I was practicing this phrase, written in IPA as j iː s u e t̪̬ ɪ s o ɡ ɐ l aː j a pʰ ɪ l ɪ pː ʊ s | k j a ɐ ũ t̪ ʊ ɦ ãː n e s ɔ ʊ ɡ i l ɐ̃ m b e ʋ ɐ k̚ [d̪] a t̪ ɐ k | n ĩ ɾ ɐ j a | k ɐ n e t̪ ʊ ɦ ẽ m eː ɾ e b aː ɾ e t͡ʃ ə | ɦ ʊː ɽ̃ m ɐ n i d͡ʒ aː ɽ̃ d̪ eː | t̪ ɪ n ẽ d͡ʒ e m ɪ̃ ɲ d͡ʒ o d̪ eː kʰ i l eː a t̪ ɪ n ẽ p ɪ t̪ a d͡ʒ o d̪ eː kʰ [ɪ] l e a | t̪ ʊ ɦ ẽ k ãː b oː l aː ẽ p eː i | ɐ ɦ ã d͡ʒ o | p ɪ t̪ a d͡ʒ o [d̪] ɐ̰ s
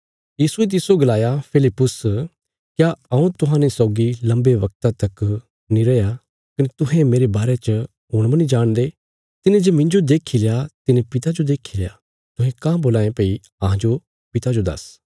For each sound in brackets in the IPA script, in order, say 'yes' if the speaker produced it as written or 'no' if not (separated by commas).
no, no, yes